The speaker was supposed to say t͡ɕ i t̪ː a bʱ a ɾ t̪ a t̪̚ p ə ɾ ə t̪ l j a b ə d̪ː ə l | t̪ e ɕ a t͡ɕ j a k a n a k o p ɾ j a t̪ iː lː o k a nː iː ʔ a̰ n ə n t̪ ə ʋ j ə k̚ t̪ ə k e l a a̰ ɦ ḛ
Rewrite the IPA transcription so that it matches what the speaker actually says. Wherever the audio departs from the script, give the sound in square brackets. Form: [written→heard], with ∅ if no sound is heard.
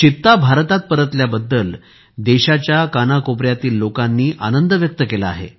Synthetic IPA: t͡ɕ i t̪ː a bʱ a ɾ t̪ a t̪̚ p ə ɾ ə t̪ l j a b ə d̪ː ə l | [t̪→d̪] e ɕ a t͡ɕ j a k a n a k o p ɾ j a t̪ iː lː o k a nː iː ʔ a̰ n ə n [t̪→d̪] ə ʋ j ə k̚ t̪ ə k e l a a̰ ɦ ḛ